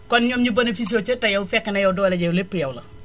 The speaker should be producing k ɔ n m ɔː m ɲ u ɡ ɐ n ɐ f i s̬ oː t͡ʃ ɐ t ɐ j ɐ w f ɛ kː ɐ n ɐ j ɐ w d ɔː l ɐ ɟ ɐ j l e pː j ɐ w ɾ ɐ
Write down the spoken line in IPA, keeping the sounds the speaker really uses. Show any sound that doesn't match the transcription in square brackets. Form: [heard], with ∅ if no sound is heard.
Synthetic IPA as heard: k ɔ n [ɲ] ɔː m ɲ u [b] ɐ n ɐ f i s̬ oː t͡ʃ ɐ t ɐ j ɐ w f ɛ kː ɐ n ɐ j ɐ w d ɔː l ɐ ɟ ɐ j l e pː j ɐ w [l] ɐ